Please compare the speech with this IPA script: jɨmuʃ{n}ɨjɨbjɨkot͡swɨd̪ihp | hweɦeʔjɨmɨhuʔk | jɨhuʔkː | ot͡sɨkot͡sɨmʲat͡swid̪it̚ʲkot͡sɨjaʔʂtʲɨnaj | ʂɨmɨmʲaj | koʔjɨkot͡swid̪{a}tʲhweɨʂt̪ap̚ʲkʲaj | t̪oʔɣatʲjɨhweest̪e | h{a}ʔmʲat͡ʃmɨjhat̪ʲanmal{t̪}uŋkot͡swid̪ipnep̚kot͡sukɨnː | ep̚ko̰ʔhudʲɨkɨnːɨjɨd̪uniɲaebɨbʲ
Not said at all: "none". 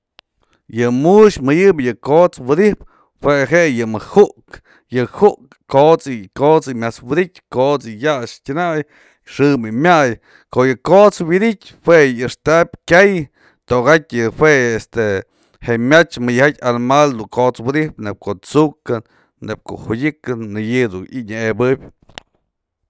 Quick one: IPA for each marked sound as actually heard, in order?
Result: m, i, e, d̪

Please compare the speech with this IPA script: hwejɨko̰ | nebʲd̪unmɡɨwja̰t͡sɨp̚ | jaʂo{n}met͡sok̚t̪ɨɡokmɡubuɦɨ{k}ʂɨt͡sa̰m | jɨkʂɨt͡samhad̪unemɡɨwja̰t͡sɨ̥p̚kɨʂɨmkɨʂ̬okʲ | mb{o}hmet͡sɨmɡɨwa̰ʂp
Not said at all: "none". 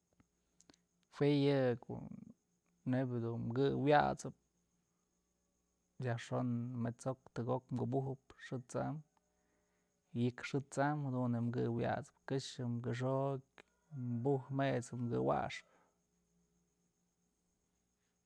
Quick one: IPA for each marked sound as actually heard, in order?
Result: n, p, u

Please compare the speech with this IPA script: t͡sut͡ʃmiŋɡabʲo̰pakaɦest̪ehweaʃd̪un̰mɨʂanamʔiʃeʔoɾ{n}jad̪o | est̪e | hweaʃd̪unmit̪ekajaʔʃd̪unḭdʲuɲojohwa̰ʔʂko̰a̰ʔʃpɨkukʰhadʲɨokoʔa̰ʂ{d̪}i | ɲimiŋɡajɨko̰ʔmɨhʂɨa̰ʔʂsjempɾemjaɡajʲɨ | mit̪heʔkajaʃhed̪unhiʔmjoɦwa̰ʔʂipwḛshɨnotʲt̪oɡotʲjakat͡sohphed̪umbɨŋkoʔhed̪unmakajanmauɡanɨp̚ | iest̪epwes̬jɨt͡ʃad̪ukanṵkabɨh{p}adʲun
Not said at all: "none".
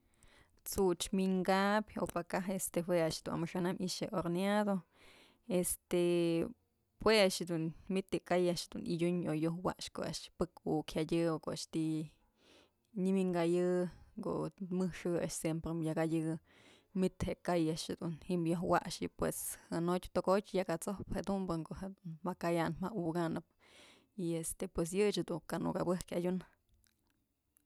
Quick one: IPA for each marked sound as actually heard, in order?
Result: n, t̪, k

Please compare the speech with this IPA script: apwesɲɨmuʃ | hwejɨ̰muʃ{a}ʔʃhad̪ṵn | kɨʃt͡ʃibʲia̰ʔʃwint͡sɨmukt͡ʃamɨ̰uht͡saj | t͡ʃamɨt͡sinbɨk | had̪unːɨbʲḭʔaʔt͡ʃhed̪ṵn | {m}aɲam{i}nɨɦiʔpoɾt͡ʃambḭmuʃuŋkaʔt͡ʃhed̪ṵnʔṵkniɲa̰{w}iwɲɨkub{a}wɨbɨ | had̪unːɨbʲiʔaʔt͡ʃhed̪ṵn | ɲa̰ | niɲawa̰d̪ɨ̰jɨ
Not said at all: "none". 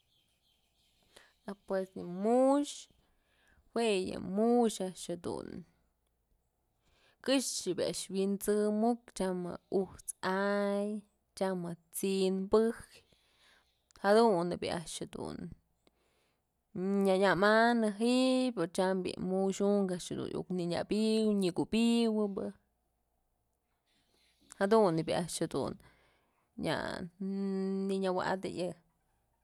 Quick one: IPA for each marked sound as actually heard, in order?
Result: a, ɲ, a, b, i

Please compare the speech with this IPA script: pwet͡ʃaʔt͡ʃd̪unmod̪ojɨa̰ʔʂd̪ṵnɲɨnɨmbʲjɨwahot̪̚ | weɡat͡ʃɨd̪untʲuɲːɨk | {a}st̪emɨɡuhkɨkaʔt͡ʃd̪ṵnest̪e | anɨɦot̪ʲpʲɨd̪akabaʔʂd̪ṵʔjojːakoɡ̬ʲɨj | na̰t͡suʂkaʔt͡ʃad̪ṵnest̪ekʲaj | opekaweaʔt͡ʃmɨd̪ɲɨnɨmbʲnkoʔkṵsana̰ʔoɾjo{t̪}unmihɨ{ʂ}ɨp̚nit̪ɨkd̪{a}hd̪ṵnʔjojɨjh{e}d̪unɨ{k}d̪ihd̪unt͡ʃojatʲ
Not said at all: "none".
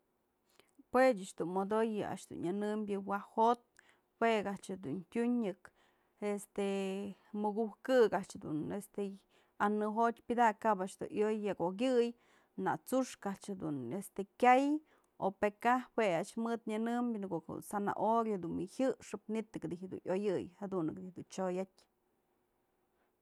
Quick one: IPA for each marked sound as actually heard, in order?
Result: e, d̪, ʂ, i, a, k

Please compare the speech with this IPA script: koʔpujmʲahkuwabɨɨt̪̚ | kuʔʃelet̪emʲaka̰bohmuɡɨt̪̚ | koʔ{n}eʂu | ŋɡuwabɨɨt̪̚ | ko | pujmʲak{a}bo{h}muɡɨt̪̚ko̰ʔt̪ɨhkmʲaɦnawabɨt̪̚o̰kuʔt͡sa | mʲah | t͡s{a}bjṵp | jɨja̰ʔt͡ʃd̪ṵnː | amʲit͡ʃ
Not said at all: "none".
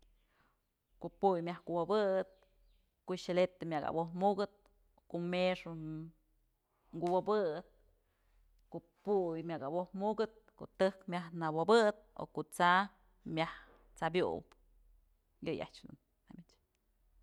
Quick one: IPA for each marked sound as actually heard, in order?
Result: m, a, h, a

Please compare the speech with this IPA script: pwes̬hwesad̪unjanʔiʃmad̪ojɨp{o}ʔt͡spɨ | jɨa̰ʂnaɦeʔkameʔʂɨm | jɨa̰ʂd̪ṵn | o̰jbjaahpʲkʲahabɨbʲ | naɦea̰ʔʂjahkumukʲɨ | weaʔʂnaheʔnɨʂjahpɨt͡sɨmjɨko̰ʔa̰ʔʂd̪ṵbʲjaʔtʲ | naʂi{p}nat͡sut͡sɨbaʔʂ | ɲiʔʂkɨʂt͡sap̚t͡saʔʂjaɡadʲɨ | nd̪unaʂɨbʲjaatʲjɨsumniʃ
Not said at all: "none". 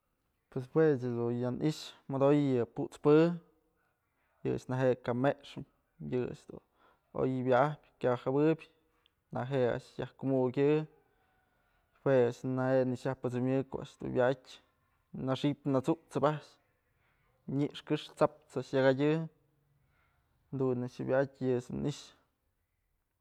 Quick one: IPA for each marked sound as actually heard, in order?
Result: u, p

